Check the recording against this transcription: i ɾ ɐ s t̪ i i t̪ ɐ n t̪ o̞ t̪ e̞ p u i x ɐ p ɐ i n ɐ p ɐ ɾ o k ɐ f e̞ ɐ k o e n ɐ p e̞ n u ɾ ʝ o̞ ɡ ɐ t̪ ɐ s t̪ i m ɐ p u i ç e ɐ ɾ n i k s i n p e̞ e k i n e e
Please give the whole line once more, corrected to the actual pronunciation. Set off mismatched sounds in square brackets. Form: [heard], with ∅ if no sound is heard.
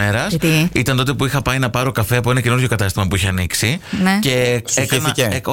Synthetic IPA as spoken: [e] ɾ ɐ s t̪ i i t̪ ɐ n t̪ o̞ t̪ e̞ p u i x ɐ p ɐ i n ɐ p ɐ ɾ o k ɐ f e̞ ɐ [p] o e n ɐ [c] e̞ n u ɾ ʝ o̞ [k] ɐ t̪ ɐ s t̪ i m ɐ p u i ç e ɐ [∅] n i k s i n [c] e̞ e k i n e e